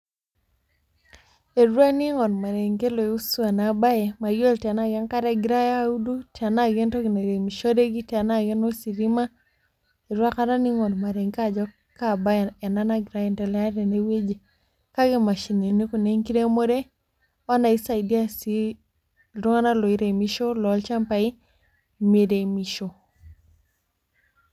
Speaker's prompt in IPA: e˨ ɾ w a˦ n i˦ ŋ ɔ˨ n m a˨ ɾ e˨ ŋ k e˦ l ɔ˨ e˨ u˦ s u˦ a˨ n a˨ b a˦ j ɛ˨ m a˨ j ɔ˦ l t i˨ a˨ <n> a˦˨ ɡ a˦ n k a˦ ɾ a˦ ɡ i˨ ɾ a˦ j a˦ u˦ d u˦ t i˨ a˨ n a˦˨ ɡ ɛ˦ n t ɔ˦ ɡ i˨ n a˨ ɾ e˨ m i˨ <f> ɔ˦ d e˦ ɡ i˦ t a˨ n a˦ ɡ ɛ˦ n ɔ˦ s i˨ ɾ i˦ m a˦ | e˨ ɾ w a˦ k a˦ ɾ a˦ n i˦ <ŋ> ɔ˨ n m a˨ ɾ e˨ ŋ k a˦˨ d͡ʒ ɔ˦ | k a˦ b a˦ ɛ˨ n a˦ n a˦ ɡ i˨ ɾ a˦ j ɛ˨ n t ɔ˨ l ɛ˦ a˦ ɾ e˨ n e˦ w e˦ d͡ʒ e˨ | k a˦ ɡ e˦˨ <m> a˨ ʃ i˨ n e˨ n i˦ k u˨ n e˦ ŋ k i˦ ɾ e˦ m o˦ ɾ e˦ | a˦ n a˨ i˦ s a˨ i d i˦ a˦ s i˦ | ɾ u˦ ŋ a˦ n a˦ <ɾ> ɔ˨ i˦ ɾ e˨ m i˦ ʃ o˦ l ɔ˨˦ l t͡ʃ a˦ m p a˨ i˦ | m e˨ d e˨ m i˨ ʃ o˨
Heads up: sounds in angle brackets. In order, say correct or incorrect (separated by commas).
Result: correct, incorrect, correct, correct, incorrect